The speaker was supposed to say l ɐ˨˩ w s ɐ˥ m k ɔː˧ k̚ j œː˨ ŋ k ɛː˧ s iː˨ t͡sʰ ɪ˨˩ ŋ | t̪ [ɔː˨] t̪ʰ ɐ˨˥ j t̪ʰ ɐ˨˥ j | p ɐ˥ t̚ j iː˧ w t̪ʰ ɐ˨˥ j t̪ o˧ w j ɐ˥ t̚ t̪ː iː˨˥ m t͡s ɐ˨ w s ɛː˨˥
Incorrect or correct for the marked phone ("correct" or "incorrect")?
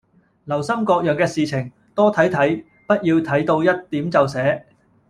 incorrect